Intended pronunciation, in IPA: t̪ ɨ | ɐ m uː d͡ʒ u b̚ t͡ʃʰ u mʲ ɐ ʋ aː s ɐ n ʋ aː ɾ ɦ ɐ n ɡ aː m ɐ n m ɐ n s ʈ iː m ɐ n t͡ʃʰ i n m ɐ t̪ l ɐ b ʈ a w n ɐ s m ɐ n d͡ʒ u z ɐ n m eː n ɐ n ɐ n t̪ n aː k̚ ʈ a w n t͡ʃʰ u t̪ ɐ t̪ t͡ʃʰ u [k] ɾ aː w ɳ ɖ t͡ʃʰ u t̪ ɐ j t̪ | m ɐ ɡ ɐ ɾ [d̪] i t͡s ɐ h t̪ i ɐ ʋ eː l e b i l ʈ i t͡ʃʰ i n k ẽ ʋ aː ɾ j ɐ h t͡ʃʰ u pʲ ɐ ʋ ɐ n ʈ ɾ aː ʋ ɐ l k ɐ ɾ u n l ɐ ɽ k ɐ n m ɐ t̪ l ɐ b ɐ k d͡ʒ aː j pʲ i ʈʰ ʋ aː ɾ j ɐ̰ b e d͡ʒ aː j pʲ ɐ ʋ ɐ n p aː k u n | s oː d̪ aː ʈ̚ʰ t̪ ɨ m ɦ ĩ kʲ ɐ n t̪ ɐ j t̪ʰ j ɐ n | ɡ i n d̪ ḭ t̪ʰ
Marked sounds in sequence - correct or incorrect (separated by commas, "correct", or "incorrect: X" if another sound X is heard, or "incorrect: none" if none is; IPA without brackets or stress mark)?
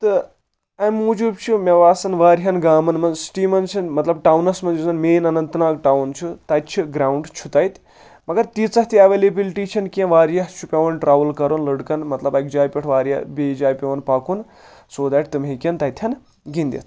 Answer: incorrect: ɡ, incorrect: t̪